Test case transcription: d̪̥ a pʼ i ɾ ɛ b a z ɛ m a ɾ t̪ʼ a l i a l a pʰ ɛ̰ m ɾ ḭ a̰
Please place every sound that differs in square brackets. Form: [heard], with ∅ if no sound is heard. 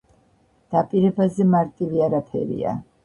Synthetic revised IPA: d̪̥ a pʼ i ɾ ɛ b a z ɛ m a ɾ t̪ʼ [i] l i a [ɾ] a pʰ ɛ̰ [∅] ɾ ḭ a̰